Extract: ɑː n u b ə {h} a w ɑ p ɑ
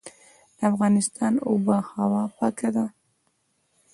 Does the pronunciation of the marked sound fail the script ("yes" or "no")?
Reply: no